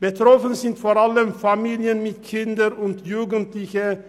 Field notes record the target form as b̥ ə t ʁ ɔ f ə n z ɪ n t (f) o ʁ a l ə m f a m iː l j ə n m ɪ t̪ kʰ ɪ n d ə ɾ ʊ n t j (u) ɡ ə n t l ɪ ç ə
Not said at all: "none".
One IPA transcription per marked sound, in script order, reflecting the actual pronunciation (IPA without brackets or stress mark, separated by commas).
f, uː